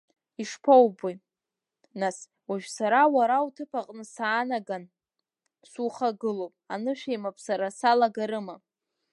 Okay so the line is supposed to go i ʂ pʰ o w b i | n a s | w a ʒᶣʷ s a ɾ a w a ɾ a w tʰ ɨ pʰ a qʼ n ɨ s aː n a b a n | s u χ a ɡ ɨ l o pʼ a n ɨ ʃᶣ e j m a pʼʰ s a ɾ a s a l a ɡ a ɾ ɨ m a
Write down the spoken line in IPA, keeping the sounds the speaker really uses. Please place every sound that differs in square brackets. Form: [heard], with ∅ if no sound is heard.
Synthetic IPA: i ʂ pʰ o w b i | n a s | w a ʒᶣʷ s a ɾ a w a ɾ a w tʰ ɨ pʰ a qʼ n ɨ s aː n a [ɡ] a n | s u χ a ɡ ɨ l o pʼ a n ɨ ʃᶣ e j m a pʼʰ s a ɾ a s a l a ɡ a ɾ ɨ m a

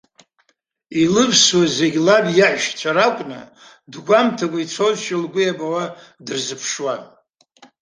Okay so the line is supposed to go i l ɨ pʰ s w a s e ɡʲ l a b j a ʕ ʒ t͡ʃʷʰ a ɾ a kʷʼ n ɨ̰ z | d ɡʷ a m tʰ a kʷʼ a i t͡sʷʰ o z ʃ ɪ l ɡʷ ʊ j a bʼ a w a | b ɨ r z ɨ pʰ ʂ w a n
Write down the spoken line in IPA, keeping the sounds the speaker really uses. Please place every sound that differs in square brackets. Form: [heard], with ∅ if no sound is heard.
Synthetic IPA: i l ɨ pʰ s w a [z] e ɡʲ l a b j a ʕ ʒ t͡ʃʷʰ a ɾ a kʷʼ n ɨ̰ [∅] | d ɡʷ a m tʰ a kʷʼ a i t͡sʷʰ o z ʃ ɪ l ɡʷ ʊ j a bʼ a w a | [d] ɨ r z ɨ pʰ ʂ w a n

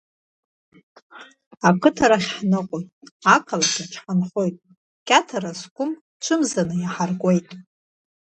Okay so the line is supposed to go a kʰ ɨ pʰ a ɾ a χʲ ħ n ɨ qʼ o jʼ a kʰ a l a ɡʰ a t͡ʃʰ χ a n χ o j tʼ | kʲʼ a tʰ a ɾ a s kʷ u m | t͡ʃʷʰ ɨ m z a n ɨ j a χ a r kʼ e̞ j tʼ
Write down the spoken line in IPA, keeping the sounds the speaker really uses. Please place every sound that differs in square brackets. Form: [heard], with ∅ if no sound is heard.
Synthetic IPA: a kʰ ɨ [tʰ] a ɾ a χʲ ħ n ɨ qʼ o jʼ a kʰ a l a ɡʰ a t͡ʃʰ [ħ] a n χ o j tʼ | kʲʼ a tʰ a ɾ a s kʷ [ʊ] m | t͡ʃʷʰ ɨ m z a n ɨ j a [ħ] a r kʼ e̞ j tʼ

